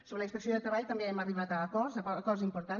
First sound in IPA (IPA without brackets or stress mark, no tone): s